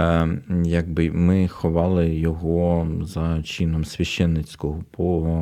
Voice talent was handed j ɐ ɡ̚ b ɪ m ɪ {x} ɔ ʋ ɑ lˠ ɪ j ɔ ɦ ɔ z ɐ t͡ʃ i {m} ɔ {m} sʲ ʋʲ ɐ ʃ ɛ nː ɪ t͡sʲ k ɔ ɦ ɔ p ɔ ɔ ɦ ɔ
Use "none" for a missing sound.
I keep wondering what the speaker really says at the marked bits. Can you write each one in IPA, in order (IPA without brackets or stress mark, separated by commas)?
x, n, m